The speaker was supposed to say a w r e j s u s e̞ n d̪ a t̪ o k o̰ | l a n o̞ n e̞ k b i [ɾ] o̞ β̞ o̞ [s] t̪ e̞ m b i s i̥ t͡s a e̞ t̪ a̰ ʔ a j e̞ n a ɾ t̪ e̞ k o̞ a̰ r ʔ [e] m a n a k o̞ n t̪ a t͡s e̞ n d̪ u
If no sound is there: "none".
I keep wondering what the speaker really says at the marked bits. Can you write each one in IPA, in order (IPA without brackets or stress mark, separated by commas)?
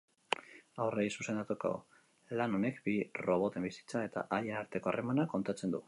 r, none, e